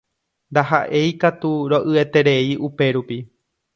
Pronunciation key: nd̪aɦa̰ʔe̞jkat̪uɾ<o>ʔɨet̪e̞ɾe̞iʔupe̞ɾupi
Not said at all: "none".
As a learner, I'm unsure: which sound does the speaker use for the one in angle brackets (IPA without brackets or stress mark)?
o